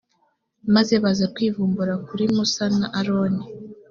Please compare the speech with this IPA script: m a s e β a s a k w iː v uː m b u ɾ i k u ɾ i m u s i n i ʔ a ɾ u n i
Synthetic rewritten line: m a z e β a z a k w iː v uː m b u ɾ a k u ɾ i m u s a n a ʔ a ɾ o n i